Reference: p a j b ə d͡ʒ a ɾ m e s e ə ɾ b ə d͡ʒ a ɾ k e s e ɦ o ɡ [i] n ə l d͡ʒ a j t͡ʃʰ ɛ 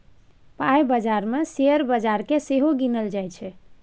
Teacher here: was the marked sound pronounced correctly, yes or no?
yes